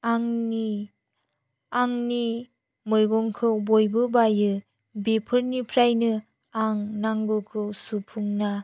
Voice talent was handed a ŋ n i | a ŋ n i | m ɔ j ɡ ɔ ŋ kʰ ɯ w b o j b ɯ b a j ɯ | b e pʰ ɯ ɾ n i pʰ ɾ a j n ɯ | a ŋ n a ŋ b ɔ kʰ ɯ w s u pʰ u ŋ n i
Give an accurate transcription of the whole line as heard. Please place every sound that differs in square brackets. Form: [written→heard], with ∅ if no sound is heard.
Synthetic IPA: a ŋ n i | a ŋ n i | m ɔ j ɡ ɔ ŋ kʰ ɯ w b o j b ɯ b a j ɯ | b e pʰ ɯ ɾ n i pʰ ɾ a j n ɯ | a ŋ n a ŋ [b→ɡ] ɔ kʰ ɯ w s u pʰ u ŋ n [i→a]